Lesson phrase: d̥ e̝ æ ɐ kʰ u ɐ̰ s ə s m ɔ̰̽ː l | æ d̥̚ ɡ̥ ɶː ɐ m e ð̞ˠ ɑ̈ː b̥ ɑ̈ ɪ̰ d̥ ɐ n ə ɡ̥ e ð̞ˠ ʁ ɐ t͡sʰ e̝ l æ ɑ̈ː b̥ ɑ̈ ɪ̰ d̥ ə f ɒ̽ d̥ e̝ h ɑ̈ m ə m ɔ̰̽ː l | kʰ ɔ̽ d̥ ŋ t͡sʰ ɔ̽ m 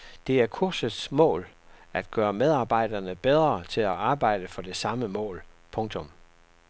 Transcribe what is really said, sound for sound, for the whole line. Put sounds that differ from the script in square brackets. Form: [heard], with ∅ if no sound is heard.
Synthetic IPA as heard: d̥ e̝ æ ɐ kʰ u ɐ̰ s ə s m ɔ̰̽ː l | æ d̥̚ ɡ̥ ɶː ɐ m e ð̞ˠ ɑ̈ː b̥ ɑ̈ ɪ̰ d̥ ɐ n ə [b̥] e ð̞ˠ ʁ ɐ t͡sʰ e̝ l æ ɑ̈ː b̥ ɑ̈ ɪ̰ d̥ ə f ɒ̽ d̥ e̝ [s] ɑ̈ m ə m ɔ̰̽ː l | [pʰ] ɔ̽ [∅] ŋ t͡sʰ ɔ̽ m